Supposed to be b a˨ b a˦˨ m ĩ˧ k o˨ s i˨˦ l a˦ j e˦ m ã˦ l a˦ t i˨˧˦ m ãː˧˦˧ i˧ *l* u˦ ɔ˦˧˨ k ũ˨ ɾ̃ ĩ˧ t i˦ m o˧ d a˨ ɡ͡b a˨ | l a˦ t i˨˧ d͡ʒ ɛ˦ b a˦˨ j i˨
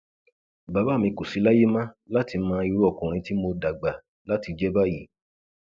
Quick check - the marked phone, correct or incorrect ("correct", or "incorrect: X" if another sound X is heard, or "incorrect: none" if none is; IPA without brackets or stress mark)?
incorrect: ɾ